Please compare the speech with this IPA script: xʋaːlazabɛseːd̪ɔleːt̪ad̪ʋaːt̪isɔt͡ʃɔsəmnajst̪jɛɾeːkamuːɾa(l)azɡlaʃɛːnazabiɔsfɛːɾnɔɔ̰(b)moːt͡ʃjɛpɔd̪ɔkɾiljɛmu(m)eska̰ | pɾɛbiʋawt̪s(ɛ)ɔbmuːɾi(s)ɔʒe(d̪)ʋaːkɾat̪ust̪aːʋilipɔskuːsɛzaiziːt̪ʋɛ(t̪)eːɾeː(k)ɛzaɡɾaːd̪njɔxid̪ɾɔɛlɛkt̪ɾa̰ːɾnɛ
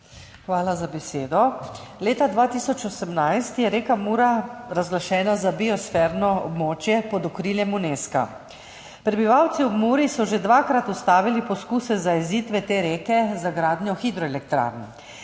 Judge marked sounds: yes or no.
no, yes, no, no, yes, yes, yes, yes

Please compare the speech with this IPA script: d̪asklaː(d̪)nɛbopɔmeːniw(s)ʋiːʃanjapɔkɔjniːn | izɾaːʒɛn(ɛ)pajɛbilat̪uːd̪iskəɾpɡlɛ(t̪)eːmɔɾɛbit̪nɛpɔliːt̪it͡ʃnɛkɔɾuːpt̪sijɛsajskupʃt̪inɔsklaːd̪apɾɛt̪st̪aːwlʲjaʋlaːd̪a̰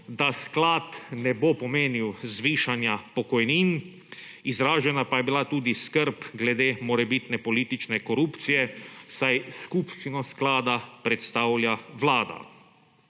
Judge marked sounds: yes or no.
no, no, no, no

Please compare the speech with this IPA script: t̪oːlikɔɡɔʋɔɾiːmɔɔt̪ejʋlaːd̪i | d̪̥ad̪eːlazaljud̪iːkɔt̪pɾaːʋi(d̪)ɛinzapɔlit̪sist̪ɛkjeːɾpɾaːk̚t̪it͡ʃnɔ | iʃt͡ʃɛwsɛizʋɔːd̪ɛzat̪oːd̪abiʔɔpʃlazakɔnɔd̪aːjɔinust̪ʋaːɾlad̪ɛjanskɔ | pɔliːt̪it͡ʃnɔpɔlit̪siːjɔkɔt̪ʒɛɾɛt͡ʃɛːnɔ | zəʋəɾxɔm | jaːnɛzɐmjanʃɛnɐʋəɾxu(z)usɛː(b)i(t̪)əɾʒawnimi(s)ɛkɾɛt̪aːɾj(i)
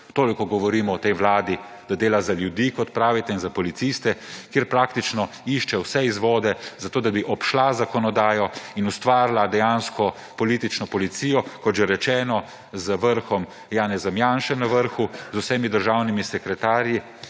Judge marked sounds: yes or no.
no, yes, no, no, yes, yes

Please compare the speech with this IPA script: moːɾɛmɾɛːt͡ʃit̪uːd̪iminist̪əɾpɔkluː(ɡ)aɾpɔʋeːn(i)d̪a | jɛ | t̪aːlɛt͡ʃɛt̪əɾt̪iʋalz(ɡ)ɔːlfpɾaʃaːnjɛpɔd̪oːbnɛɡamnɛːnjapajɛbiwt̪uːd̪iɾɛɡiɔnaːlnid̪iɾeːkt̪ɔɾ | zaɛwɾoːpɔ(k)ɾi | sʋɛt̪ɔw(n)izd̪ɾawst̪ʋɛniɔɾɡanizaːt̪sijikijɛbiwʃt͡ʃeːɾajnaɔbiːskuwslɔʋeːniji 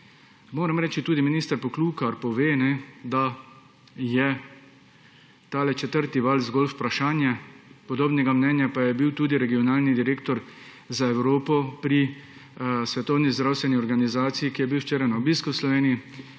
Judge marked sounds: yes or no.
no, no, yes, no, yes

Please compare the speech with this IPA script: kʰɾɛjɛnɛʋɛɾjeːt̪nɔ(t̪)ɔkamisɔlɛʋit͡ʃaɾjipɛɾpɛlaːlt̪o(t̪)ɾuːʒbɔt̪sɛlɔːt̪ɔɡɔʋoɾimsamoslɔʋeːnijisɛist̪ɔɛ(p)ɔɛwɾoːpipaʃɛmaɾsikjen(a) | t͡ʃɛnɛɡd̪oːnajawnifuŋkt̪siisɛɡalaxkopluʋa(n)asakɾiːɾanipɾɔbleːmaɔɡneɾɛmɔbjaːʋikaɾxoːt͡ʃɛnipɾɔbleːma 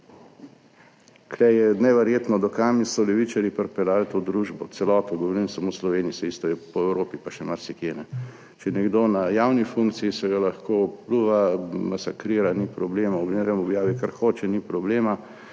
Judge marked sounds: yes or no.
no, no, yes, no, no

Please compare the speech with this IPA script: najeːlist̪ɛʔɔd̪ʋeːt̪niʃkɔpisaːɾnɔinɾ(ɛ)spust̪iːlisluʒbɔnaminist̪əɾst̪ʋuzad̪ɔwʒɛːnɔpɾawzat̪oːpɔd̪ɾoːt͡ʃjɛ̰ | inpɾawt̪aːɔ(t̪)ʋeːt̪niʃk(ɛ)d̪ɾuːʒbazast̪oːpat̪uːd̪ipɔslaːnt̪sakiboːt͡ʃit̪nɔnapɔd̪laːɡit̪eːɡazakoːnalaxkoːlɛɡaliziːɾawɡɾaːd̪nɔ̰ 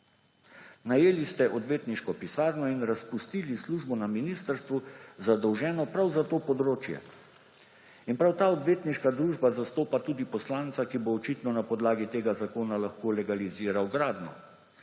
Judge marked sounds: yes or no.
no, no, no

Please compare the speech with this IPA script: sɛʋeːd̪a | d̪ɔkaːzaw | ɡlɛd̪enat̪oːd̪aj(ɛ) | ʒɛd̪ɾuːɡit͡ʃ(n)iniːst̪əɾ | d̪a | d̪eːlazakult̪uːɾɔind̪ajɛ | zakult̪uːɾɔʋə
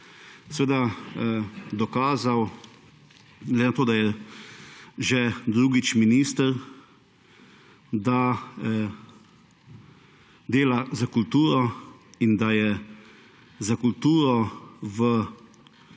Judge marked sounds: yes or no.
yes, no

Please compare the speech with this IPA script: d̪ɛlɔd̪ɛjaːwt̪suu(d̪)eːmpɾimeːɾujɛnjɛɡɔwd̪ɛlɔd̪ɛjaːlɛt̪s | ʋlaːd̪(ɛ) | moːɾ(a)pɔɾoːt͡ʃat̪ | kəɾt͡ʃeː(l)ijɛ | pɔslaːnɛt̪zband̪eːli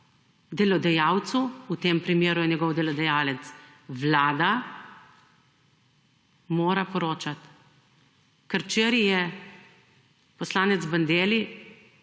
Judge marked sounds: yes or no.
no, no, yes, no

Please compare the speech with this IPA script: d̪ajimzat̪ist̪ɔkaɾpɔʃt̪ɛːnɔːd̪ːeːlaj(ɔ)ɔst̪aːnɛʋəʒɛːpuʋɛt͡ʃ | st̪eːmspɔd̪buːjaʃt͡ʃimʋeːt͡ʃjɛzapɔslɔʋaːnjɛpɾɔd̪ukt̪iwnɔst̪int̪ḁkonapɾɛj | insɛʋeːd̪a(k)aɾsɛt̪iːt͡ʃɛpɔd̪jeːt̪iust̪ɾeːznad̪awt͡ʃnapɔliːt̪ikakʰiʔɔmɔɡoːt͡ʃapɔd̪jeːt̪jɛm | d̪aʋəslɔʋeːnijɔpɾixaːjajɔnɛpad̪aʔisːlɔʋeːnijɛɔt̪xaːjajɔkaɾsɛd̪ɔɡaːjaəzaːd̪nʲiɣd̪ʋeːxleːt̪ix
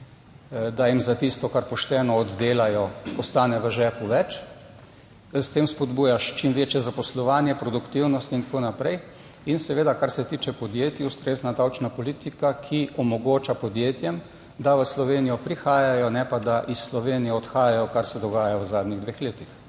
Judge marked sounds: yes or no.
yes, yes

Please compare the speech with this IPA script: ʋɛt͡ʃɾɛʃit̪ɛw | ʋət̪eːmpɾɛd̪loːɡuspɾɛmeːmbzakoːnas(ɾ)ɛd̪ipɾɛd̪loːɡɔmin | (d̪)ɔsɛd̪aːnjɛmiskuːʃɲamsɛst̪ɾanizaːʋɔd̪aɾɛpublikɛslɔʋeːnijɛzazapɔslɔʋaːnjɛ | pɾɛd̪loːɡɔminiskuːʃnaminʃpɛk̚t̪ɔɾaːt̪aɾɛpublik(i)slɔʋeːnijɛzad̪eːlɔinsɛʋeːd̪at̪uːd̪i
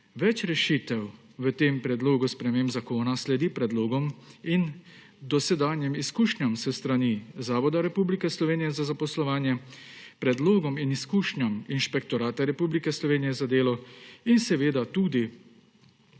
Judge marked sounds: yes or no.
no, yes, no

